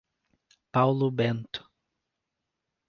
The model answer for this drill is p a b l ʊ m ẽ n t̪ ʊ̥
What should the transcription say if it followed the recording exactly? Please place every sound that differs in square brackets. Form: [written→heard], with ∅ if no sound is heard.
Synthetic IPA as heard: p a [b→w] l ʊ [m→b] ẽ n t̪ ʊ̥